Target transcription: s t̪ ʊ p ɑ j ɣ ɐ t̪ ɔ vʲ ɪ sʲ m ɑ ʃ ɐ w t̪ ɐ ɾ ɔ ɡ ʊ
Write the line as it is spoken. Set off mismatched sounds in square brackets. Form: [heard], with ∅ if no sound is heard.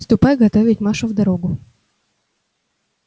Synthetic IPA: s t̪ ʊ p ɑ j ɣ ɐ t̪ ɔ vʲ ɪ [tʲ] m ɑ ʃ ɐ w [d̪] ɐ ɾ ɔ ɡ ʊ